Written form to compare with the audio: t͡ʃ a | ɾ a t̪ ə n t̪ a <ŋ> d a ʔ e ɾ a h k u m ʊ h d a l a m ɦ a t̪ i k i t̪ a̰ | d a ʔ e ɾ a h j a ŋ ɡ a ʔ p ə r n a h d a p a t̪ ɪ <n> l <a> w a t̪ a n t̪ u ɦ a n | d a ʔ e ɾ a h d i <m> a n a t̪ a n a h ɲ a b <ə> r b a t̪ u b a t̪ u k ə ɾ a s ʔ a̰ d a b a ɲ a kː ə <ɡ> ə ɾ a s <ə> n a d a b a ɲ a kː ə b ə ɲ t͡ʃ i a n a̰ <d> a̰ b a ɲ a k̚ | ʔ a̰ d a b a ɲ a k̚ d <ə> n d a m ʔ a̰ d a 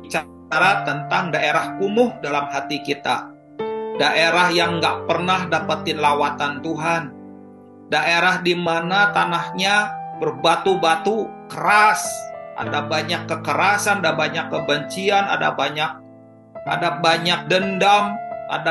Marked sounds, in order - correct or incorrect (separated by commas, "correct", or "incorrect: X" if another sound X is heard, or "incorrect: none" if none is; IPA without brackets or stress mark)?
correct, correct, correct, correct, correct, incorrect: k, incorrect: a, correct, correct